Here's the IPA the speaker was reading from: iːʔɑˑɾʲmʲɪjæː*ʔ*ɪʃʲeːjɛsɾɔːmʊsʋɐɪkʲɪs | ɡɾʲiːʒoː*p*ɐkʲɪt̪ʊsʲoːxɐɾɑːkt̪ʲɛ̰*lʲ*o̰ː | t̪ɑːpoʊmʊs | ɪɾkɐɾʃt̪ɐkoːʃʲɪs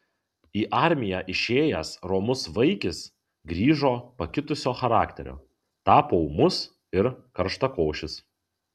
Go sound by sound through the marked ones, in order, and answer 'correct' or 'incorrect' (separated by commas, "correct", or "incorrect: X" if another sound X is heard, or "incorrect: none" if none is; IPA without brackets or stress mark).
correct, correct, incorrect: ɾʲ